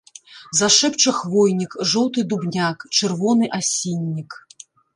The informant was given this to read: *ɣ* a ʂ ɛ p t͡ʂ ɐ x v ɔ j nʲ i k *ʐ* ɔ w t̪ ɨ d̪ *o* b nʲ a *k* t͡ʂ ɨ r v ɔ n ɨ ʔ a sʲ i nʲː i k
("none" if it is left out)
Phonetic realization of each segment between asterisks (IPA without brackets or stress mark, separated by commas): z, ʐ, u, k